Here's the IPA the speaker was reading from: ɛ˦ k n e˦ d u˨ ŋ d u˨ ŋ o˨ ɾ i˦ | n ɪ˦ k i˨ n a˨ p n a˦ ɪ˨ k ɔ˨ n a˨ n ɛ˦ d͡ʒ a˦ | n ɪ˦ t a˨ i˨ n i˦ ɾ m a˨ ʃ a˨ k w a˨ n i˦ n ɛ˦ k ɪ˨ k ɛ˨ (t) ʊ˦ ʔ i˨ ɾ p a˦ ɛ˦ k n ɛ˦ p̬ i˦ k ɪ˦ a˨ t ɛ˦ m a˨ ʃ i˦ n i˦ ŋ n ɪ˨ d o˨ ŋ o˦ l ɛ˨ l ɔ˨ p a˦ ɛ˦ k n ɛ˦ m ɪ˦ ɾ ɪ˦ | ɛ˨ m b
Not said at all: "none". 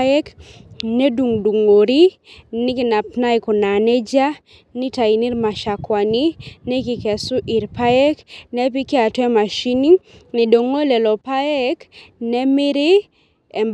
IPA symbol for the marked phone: s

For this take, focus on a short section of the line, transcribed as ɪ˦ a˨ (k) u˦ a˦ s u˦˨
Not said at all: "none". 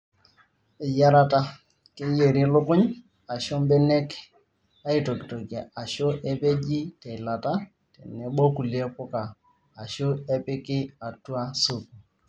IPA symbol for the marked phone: t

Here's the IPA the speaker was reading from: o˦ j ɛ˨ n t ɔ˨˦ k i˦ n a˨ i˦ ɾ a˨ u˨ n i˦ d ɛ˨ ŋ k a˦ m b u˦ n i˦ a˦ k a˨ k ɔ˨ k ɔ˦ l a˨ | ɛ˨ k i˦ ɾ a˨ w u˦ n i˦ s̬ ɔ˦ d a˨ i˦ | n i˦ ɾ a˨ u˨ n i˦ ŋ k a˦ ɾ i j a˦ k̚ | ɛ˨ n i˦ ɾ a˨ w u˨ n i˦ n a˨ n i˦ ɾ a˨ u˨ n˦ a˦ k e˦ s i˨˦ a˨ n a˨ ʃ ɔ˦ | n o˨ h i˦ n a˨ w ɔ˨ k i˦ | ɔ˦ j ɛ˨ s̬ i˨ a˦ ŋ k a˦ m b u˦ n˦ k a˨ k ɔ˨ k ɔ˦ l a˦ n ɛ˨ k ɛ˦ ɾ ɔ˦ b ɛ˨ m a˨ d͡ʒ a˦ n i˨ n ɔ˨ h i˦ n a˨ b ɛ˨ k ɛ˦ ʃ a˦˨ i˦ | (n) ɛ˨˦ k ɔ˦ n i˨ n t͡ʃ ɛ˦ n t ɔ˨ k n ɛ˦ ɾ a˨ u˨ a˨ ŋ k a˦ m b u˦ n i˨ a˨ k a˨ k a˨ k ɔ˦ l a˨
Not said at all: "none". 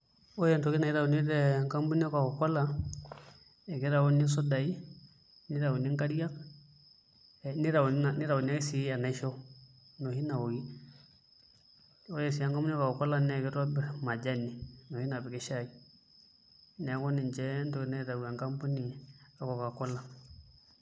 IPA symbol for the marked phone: n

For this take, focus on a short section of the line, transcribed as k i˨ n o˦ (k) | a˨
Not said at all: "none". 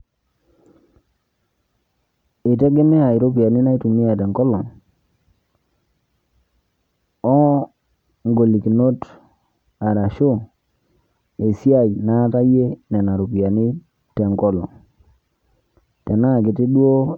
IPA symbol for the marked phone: t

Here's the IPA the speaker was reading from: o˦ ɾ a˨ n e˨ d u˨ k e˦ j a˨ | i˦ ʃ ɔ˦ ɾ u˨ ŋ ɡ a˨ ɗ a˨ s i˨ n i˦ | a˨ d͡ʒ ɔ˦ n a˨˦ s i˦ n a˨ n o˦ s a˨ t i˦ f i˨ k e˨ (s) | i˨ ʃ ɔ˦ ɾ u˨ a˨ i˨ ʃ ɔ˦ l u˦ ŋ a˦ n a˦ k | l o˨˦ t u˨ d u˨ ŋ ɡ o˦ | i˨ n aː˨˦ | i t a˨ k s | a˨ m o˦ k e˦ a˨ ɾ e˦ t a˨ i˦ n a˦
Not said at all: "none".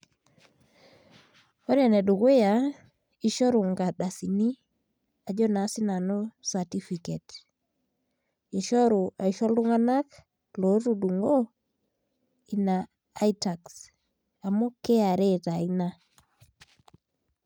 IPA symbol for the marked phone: t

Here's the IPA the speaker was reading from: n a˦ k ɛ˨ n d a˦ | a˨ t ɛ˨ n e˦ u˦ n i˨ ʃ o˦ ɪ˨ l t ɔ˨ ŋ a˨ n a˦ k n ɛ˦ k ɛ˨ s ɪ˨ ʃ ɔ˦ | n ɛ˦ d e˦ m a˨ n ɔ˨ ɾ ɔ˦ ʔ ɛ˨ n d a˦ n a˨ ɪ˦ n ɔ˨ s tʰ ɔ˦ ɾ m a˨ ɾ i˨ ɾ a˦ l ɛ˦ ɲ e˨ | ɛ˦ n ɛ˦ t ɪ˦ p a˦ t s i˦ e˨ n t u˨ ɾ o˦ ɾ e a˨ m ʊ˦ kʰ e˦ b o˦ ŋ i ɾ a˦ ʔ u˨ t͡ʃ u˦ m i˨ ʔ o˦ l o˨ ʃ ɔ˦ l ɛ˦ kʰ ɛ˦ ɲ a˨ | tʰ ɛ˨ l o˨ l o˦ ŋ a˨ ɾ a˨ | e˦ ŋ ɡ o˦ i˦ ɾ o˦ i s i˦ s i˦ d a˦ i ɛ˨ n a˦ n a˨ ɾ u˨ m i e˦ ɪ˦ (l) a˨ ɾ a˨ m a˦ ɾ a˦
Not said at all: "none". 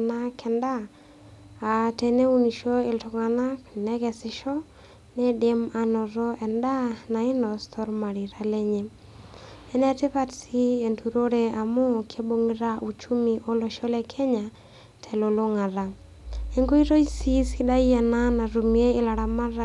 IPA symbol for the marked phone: l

